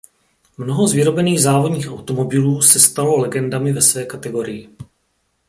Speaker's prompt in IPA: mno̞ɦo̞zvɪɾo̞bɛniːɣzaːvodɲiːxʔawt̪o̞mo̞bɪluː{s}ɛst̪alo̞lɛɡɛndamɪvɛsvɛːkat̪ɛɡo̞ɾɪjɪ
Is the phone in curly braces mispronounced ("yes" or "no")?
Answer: no